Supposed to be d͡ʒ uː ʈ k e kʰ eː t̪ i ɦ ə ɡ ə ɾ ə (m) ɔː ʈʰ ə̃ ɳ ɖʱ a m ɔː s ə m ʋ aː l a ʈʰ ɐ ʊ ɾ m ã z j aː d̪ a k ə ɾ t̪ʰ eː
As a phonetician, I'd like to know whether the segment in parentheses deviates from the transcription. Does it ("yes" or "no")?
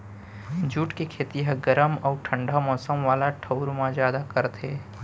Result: no